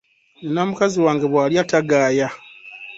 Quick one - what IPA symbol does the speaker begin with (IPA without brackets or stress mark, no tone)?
n